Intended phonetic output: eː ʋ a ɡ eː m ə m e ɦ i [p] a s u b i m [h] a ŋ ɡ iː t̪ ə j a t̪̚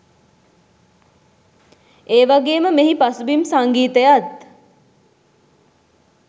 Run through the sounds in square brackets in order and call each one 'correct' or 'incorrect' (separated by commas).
correct, incorrect